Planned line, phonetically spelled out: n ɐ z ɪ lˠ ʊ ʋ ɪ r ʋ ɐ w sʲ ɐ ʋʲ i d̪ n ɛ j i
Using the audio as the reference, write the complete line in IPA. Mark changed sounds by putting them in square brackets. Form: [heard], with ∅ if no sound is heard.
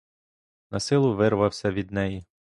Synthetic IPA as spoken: n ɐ [s] ɪ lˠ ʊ ʋ ɪ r ʋ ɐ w sʲ ɐ ʋʲ i d̪ n ɛ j i

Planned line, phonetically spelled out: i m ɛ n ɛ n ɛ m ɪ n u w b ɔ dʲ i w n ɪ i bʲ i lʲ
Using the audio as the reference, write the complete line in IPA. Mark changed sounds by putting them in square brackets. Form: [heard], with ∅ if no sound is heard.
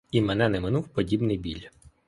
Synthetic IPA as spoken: i m ɛ n ɛ n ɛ m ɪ n u w [p] ɔ dʲ i [b] n ɪ [j] bʲ i lʲ

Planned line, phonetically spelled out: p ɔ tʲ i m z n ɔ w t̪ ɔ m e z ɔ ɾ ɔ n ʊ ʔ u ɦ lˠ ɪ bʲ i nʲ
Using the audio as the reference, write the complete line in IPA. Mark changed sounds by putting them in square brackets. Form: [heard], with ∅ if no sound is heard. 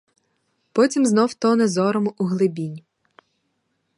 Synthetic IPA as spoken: p ɔ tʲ i m z n ɔ w t̪ ɔ [n] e z ɔ ɾ ɔ [m] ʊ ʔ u ɦ lˠ ɪ bʲ i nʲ

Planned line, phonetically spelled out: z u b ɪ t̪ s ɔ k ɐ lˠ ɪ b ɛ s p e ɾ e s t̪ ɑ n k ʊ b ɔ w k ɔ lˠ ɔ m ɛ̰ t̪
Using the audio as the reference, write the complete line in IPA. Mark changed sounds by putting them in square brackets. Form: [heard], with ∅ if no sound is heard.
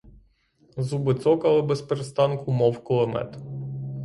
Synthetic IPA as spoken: z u b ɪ t̪ s ɔ k ɐ lˠ ɪ b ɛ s p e ɾ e s t̪ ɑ n k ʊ [m] ɔ w k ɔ lˠ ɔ m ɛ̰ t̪

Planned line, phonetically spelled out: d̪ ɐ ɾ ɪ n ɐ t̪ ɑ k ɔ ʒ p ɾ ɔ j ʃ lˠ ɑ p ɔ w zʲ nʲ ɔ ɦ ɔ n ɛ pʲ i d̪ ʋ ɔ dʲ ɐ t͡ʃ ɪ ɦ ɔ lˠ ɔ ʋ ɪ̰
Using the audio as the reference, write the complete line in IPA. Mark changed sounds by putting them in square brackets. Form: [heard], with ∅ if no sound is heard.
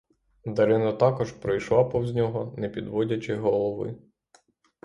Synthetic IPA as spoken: d̪ ɐ ɾ ɪ n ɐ t̪ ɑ k ɔ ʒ p ɾ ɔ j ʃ lˠ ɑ p ɔ w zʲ nʲ ɔ ɦ ɔ n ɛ pʲ i d̪ ʋ ɔ dʲ ɐ t͡ʃ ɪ ɦ ɔ lˠ ɔ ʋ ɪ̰

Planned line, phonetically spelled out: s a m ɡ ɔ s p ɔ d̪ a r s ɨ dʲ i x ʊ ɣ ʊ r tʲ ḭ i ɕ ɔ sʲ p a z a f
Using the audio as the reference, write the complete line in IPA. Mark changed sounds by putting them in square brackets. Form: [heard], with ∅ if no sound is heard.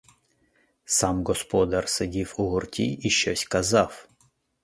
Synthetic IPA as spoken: s a m ɡ ɔ s p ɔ d̪ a r s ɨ dʲ i [f] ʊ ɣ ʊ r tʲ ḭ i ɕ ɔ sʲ [k] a z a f

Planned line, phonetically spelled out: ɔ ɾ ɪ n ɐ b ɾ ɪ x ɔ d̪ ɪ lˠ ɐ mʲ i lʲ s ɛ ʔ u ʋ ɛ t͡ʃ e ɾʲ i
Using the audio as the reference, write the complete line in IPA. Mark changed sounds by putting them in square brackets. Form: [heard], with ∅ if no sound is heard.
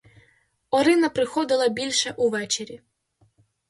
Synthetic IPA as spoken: ɔ ɾ ɪ n ɐ [p] ɾ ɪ x ɔ d̪ ɪ lˠ ɐ [bʲ] i lʲ [ʃ] ɛ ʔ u ʋ ɛ t͡ʃ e ɾʲ i

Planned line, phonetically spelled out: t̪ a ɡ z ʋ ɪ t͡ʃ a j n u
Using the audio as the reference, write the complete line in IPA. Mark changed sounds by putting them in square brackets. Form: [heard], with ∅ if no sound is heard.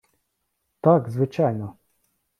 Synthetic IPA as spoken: t̪ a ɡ z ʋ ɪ t͡ʃ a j n [ɔ]

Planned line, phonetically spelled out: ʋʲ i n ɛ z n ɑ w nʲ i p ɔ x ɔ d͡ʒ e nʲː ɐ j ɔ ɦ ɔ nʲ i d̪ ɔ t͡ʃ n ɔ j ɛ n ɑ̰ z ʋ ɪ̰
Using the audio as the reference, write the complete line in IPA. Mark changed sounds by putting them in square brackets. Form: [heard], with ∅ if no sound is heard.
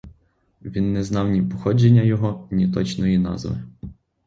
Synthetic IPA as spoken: ʋʲ i [nː] ɛ z n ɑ w nʲ i p ɔ x ɔ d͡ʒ e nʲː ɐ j ɔ ɦ ɔ nʲ i [t̪] ɔ t͡ʃ n ɔ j [i] n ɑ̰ z ʋ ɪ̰

